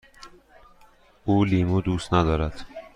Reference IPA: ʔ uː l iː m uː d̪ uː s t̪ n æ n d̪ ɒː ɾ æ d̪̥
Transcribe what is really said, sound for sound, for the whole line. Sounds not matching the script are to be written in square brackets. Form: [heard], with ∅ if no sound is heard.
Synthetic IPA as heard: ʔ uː l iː m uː d̪ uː s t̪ n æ [∅] d̪ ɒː ɾ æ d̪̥